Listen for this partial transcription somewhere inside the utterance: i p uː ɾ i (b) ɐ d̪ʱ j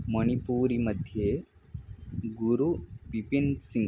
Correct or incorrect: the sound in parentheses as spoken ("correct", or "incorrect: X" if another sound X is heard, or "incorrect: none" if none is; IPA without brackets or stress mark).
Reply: incorrect: m